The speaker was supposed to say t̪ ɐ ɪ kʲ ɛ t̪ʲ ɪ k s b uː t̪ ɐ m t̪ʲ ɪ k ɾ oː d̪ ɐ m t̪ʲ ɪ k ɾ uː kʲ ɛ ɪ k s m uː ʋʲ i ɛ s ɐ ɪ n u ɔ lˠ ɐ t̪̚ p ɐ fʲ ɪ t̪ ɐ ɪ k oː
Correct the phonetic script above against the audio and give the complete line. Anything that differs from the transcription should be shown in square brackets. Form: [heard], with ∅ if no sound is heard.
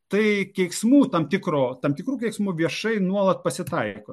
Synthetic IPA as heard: t̪ ɐ ɪ kʲ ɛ [∅] ɪ k s [m] uː t̪ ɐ m t̪ʲ ɪ k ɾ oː [t̪] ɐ m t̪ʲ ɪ k ɾ uː kʲ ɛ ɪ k s m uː ʋʲ i ɛ [ʃ] ɐ ɪ n u ɔ lˠ ɐ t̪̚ p ɐ [sʲ] ɪ t̪ ɐ ɪ k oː

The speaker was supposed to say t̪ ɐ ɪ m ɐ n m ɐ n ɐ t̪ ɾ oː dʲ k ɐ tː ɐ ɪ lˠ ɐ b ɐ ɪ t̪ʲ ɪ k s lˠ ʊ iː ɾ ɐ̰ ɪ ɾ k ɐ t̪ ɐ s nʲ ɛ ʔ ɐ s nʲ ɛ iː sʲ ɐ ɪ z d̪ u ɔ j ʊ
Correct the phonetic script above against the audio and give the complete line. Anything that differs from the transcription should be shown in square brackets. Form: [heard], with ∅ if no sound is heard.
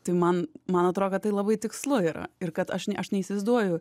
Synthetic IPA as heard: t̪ ɐ ɪ m ɐ n m ɐ n ɐ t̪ ɾ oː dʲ k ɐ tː ɐ ɪ lˠ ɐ b ɐ ɪ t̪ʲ ɪ k s lˠ ʊ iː ɾ ɐ̰ ɪ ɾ k ɐ t̪ ɐ [ʃ] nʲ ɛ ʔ ɐ [ʃ] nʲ ɛ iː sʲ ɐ ɪ z d̪ u ɔ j ʊ

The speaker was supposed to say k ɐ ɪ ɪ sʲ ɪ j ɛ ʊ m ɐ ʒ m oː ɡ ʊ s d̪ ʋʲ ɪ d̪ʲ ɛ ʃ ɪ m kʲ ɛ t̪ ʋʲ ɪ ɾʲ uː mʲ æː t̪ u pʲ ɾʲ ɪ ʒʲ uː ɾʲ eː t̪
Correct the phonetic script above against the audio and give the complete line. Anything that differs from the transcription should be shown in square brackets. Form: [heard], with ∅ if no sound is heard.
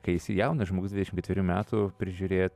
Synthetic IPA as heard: k ɐ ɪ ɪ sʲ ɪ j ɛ ʊ [n] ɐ ʒ m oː ɡ ʊ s d̪ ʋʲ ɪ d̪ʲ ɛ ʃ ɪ m kʲ ɛ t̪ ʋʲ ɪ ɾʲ uː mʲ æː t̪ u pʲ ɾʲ ɪ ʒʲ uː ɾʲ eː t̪

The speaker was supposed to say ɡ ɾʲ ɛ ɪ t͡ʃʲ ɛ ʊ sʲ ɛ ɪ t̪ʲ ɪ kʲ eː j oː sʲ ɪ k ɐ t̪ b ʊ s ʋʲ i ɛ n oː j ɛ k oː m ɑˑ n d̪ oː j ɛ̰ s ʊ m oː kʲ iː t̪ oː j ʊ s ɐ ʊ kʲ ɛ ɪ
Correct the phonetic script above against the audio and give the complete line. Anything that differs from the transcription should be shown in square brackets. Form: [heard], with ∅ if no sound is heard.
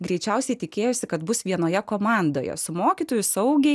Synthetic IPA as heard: ɡ ɾʲ ɛ ɪ t͡ʃʲ ɛ ʊ sʲ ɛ ɪ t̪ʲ ɪ kʲ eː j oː sʲ ɪ k ɐ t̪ b ʊ s ʋʲ i ɛ n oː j ɛ k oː m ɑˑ n d̪ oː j ɛ̰ s ʊ m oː kʲ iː t̪ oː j ʊ s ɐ ʊ [ɡʲ] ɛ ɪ

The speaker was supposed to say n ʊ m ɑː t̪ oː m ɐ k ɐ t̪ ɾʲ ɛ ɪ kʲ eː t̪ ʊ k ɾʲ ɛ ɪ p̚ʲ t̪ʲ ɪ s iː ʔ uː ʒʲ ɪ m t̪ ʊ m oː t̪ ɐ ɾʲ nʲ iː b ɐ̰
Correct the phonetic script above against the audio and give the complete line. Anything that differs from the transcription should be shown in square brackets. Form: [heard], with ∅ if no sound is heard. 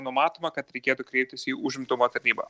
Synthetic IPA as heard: n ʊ m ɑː t̪ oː m ɐ k ɐ t̪ ɾʲ ɛ ɪ kʲ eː t̪ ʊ k ɾʲ ɛ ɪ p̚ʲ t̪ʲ ɪ s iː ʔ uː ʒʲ ɪ m t̪ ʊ m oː t̪ ɐ ɾʲ nʲ iː b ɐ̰

